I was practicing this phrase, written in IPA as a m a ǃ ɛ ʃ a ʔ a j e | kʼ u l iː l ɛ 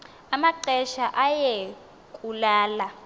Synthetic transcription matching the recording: a m a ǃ ɛ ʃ a ʔ a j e | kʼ u l aː l a